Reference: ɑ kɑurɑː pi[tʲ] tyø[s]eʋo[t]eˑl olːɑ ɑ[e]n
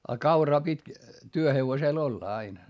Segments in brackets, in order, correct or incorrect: correct, incorrect: h, incorrect: s, incorrect: i

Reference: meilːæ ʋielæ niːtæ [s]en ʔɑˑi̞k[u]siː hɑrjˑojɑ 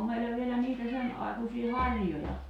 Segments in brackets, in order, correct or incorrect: correct, correct

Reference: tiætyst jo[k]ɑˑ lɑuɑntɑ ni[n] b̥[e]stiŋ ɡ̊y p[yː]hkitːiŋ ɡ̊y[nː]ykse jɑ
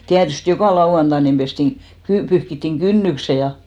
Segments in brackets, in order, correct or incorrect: correct, incorrect: m, correct, incorrect: y, correct

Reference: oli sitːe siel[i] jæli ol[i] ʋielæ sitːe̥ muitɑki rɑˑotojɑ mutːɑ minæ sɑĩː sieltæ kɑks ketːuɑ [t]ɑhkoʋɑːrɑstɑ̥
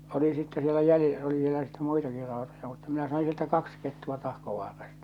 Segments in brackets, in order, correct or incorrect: incorrect: æ, correct, correct

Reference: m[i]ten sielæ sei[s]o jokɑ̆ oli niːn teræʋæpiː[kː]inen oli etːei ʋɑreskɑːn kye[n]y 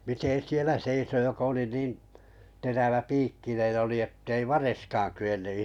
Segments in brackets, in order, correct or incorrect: correct, correct, correct, incorrect: nː

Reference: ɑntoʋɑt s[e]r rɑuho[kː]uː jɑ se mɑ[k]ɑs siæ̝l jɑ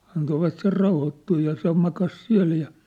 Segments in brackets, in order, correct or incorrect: correct, incorrect: tː, correct

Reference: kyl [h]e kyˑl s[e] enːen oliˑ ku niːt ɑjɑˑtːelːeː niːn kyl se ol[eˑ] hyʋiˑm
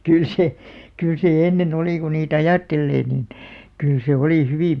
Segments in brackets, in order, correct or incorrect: incorrect: s, correct, incorrect: iˑ

